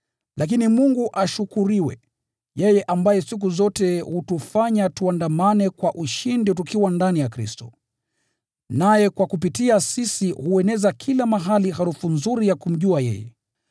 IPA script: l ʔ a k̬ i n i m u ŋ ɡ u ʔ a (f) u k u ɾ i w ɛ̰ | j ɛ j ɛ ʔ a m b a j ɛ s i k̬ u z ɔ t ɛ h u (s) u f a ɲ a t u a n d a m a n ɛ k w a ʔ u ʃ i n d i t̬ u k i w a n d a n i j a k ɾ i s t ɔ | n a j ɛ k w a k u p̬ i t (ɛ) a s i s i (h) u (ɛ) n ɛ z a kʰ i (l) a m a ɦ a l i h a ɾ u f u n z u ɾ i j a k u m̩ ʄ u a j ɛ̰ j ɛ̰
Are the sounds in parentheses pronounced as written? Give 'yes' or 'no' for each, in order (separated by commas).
no, no, no, yes, yes, yes